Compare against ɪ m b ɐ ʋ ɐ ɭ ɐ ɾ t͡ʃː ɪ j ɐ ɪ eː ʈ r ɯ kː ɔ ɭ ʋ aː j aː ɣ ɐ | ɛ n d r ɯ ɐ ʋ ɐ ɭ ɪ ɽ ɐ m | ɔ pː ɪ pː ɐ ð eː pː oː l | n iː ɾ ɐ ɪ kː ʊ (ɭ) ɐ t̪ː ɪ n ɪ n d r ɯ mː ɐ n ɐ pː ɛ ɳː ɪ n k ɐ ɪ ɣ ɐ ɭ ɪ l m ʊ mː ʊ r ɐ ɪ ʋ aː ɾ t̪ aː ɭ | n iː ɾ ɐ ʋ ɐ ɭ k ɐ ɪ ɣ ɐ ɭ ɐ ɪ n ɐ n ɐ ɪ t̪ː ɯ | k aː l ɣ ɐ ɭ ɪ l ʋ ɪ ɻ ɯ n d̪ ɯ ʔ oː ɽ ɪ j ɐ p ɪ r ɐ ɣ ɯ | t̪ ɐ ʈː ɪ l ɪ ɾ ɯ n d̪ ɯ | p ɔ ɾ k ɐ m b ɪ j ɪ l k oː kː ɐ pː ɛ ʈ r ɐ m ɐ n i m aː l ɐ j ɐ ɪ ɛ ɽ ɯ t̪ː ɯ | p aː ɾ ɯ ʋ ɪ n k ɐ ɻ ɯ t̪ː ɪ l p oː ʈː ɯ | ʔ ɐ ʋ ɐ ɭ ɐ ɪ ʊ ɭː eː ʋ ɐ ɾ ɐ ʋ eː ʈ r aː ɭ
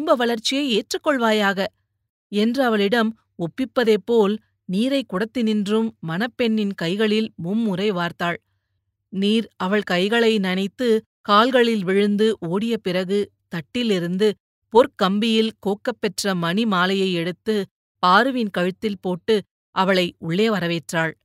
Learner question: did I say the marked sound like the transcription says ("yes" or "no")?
no